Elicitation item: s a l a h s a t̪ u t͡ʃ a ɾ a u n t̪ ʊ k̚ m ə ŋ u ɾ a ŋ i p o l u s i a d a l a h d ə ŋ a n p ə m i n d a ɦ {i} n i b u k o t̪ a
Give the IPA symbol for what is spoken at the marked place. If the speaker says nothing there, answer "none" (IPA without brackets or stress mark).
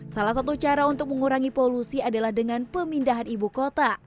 a